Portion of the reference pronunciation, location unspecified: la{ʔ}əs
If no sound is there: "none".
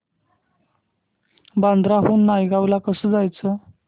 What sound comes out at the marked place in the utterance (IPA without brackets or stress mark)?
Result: k